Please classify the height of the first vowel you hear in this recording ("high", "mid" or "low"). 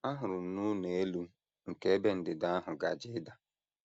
low